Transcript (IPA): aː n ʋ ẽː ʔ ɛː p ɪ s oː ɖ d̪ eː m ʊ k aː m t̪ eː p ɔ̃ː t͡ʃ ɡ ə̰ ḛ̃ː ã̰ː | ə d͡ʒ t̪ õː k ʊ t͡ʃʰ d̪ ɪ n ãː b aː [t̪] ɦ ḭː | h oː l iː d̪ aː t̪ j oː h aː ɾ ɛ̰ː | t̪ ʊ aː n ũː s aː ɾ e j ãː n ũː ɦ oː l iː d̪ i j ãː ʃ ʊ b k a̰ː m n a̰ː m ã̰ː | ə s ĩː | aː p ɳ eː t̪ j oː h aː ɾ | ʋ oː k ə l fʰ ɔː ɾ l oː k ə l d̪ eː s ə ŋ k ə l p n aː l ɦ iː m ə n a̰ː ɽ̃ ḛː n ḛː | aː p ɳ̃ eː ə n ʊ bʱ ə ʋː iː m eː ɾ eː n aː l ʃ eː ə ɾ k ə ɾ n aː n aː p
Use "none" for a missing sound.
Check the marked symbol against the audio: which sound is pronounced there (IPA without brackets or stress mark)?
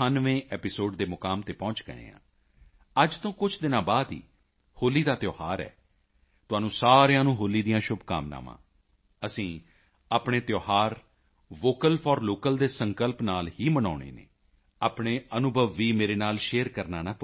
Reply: d̪